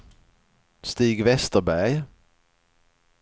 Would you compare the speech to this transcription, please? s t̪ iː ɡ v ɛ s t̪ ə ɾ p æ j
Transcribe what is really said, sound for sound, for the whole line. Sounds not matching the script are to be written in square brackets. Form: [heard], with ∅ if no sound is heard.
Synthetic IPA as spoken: s t̪ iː ɡ v ɛ s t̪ ə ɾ [b] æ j